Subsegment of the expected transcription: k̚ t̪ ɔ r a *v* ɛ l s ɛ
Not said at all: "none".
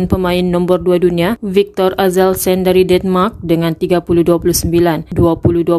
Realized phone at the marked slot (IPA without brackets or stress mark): z